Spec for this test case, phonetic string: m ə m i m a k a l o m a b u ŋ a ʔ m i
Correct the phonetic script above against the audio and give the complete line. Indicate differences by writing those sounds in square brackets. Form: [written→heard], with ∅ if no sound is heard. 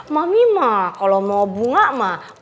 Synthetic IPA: m [ə→a] m i m a k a l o m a b u ŋ a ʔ m [i→a]